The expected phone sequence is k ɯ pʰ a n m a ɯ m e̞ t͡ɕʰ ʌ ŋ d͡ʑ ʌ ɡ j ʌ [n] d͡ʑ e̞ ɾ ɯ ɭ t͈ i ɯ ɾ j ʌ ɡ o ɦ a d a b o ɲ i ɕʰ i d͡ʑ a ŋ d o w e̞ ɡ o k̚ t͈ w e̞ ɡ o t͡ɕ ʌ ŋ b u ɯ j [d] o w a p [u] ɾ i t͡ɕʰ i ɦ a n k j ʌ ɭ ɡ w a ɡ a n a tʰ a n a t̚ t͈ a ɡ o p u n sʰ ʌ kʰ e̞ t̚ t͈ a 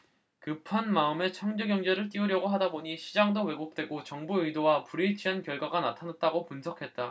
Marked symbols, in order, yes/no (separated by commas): no, yes, yes